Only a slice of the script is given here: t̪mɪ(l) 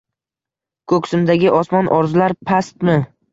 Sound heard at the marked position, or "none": none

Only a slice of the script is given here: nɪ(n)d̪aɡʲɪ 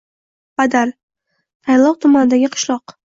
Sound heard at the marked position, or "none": none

